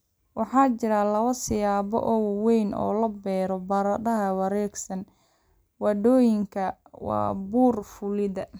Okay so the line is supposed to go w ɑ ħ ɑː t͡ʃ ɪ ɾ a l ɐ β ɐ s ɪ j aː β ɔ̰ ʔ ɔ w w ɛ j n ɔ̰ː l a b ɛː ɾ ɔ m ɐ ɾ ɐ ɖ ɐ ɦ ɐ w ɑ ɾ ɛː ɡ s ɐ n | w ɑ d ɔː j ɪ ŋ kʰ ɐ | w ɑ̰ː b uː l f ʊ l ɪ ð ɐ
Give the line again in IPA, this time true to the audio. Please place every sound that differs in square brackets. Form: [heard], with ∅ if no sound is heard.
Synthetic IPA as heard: w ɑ ħ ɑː t͡ʃ ɪ ɾ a l ɐ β ɐ s ɪ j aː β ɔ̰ ʔ ɔ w w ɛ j n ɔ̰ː l [ɐ] b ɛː ɾ ɔ [b] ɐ ɾ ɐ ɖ ɐ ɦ ɐ w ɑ ɾ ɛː ɡ s ɐ n | w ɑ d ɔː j ɪ ŋ kʰ ɐ | w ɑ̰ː b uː [r] f ʊ l ɪ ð ɐ